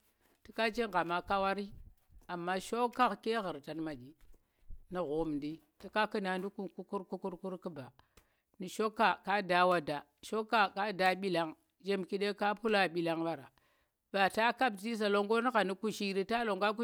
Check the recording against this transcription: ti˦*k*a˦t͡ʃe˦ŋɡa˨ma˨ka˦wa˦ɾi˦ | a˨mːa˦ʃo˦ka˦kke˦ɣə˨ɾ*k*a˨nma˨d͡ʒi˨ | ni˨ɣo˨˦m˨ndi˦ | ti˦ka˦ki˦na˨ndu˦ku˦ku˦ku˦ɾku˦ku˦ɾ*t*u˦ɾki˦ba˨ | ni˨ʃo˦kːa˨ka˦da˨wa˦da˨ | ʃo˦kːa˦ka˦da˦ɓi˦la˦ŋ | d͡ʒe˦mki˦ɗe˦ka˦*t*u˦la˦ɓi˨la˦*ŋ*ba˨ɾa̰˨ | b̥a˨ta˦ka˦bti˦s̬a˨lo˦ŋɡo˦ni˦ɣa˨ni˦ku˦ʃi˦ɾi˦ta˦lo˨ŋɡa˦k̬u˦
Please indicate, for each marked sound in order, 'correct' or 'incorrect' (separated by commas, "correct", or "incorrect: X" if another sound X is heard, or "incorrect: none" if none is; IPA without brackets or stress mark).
correct, incorrect: t, incorrect: k, incorrect: p, correct